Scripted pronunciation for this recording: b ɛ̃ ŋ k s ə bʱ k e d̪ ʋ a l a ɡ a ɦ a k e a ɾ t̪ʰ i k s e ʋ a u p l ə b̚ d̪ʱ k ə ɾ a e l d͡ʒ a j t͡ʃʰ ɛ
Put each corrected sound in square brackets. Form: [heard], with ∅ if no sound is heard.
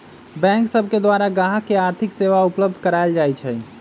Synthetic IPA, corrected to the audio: b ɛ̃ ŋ k s ə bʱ k e d̪ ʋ a [ɾ] a ɡ a ɦ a k e a ɾ t̪ʰ i k s e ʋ a u p l ə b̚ d̪ʱ k ə ɾ a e l d͡ʒ a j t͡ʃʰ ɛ